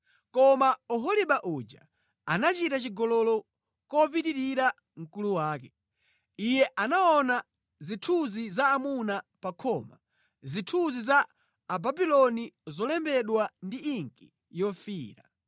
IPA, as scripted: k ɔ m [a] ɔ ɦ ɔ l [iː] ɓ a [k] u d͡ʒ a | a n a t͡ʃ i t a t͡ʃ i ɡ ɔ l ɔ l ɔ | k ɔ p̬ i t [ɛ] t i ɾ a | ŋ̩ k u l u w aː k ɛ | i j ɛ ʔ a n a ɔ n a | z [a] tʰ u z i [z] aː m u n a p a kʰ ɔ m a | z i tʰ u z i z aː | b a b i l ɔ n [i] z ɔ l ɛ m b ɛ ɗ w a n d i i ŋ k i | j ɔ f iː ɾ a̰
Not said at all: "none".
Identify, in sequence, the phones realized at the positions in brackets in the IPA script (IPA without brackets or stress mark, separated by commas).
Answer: a, i, ʔ, i, i, z, i